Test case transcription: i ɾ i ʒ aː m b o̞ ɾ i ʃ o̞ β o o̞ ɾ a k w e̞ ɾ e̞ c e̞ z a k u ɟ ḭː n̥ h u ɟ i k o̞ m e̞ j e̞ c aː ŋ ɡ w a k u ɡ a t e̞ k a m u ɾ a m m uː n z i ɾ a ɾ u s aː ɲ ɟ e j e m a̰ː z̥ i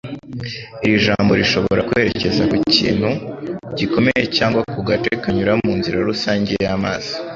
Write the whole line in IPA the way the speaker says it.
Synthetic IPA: i ɾ i ʒ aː m b o̞ ɾ i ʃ o̞ β o o̞ ɾ a k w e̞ ɾ e̞ c e̞ z a k u c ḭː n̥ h u ɟ i k o̞ m e̞ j e̞ c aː ŋ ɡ w a k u ɡ a t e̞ k a ɲ u ɾ a m m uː n z i ɾ a ɾ u s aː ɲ ɟ e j a m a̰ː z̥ i